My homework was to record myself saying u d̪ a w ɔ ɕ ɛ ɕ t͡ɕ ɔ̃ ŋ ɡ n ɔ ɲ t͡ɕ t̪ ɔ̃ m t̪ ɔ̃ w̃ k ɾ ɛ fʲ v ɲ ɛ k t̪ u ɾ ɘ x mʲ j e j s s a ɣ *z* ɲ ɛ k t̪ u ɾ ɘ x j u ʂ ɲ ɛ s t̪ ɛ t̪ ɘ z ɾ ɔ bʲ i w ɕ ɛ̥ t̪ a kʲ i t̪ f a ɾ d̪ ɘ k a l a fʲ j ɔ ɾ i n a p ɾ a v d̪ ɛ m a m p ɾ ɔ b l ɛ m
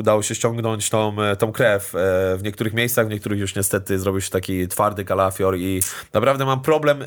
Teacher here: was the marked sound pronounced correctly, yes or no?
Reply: no